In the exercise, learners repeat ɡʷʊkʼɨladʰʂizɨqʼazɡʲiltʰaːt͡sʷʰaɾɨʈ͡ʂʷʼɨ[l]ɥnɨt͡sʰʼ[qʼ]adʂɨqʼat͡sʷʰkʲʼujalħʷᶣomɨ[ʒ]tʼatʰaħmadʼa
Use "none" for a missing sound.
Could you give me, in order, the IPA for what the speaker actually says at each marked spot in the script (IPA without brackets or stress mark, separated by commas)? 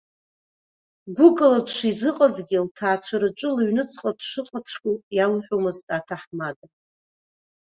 l, qʼ, z